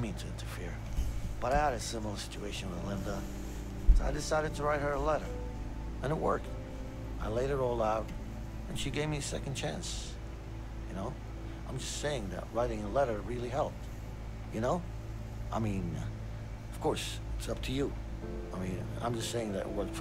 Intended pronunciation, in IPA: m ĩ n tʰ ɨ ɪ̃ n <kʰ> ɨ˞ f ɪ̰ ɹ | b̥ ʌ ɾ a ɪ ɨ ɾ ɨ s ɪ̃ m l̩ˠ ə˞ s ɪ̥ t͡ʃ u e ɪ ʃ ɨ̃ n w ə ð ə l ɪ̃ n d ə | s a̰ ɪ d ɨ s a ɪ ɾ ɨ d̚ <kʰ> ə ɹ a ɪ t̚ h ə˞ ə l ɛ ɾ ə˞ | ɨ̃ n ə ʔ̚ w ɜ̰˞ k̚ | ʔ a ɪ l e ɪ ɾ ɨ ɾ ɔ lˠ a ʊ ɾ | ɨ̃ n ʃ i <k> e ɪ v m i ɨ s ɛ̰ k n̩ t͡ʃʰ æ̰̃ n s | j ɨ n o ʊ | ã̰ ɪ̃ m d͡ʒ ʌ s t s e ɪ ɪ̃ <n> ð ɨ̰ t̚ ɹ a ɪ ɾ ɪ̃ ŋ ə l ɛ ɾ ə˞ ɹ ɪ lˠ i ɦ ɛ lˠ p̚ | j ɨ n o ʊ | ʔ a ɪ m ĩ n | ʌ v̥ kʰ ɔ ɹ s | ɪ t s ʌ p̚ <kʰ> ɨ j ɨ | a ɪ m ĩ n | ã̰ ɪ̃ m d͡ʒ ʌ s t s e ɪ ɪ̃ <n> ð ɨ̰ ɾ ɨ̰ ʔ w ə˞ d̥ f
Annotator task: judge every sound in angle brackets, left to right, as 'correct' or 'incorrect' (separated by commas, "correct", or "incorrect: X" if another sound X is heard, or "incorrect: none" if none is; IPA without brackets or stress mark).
incorrect: tʰ, incorrect: tʰ, incorrect: ɡ, incorrect: ŋ, incorrect: tʰ, incorrect: ŋ